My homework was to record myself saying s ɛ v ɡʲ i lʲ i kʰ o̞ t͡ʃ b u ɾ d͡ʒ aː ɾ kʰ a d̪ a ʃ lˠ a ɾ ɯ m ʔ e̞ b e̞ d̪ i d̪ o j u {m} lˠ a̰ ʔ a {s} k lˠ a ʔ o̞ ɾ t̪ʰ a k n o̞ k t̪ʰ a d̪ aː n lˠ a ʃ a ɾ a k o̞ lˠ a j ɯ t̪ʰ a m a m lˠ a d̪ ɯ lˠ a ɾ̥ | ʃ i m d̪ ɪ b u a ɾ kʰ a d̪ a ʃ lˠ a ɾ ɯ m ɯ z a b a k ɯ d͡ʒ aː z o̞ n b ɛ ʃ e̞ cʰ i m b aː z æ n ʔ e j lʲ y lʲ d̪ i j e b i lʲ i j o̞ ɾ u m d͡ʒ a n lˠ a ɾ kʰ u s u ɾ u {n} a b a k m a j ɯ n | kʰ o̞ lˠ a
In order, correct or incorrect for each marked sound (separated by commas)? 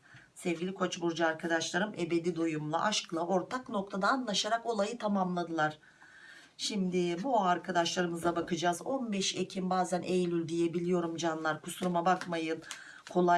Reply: correct, incorrect, incorrect